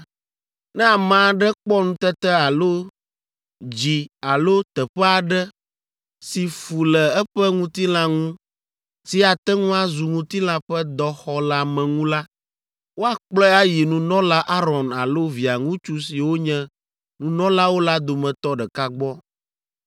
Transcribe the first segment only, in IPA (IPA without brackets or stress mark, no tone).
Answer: n